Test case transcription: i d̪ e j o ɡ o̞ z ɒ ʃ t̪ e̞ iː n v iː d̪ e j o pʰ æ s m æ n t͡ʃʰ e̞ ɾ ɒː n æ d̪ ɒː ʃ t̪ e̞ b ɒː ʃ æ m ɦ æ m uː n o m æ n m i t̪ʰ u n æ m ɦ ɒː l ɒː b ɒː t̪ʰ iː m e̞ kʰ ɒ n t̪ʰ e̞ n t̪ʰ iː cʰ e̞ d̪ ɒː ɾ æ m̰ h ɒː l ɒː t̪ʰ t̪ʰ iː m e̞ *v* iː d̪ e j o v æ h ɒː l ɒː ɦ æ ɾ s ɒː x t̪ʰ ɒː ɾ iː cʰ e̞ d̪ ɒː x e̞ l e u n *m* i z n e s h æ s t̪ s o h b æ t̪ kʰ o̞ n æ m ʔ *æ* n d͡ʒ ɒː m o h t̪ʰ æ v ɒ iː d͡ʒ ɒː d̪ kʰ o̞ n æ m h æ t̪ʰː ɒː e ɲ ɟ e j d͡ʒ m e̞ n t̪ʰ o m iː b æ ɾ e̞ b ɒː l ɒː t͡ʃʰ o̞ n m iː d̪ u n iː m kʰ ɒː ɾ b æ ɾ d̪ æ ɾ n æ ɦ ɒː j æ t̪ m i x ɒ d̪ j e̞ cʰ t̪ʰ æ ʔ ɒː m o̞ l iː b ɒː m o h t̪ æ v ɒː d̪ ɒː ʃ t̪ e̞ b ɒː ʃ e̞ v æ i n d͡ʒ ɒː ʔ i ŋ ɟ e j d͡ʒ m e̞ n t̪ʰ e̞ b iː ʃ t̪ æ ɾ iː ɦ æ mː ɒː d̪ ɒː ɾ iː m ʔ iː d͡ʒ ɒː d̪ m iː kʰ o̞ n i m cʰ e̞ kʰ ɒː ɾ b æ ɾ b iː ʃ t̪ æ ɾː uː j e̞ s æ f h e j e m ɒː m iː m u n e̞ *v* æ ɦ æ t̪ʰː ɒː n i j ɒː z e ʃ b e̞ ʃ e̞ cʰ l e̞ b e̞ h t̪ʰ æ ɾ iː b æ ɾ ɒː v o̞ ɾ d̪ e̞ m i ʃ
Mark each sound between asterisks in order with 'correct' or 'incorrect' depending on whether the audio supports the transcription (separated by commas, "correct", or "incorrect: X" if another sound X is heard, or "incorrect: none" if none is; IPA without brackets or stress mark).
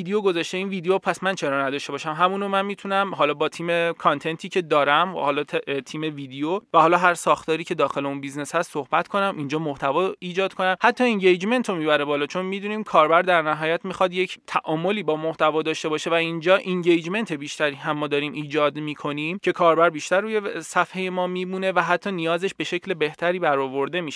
correct, incorrect: b, incorrect: i, correct